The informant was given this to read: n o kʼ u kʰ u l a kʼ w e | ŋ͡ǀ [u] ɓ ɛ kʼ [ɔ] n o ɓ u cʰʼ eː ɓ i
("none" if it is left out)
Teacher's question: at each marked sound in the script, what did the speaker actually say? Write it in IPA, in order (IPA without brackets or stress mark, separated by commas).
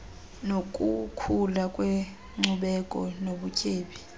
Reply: u, ɔ